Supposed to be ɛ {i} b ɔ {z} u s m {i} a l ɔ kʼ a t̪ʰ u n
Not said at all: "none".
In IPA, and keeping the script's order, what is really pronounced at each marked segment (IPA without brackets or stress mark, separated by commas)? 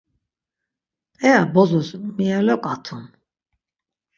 a, z, i